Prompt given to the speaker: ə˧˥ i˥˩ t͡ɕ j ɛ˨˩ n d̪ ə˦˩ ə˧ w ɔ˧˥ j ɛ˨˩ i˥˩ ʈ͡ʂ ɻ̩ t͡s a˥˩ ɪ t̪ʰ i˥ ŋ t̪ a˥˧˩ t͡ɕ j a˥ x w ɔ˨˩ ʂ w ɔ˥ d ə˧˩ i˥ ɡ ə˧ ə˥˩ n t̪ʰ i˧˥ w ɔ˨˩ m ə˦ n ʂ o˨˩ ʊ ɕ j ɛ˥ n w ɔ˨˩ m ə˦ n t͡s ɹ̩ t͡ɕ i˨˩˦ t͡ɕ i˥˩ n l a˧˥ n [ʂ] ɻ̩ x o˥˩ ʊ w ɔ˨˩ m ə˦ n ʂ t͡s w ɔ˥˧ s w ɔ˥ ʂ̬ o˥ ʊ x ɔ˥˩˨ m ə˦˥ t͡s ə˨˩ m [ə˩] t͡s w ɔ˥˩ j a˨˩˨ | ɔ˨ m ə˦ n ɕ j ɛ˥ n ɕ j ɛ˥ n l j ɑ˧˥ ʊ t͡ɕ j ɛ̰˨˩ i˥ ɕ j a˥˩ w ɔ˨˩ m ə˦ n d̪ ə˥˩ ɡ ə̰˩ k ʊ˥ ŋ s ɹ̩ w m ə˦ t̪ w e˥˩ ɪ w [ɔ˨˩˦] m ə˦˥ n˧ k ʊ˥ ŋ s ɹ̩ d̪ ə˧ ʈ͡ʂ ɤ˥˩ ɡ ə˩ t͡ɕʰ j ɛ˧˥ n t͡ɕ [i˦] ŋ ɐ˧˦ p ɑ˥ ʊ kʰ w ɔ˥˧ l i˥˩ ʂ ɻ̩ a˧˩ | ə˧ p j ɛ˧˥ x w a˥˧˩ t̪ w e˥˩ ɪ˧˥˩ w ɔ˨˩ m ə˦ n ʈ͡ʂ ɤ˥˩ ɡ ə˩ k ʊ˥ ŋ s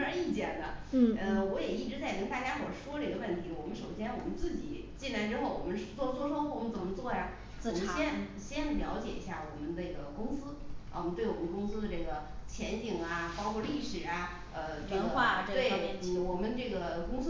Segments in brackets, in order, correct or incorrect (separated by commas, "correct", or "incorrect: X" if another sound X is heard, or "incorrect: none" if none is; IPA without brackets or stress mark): incorrect: ʈ͡ʂ, incorrect: ə˦, incorrect: ɔ˨˩, incorrect: i˨˩